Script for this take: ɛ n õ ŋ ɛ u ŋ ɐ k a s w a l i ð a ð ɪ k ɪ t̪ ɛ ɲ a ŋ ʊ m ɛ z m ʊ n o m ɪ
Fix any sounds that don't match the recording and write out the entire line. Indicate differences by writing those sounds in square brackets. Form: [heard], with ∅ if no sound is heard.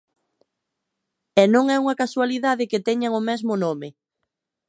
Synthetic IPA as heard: ɛ n õ ŋ ɛ u ŋ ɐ k a s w a l i ð a ð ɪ k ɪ t̪ ɛ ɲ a ŋ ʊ m ɛ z m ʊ n o m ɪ